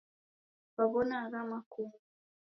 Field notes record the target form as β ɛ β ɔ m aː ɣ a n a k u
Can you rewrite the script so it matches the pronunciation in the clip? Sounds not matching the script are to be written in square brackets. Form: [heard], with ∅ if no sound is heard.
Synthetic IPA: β [a] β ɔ [n] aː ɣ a [m] a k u